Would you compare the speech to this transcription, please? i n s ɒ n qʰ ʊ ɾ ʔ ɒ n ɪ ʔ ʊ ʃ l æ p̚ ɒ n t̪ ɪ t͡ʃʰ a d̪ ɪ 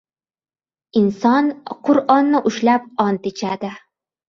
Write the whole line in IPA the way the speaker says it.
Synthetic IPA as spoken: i n s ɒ n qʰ ʊ ɾ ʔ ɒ nː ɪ ʔ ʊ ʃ l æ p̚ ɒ n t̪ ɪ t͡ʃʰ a d̪ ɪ